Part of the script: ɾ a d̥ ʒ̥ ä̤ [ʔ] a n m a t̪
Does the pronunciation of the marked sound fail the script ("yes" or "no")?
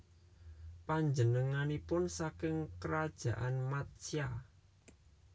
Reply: no